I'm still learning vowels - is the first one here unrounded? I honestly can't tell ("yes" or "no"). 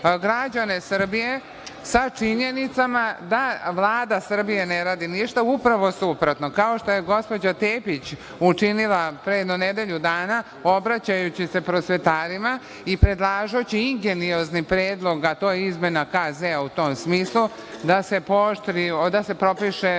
yes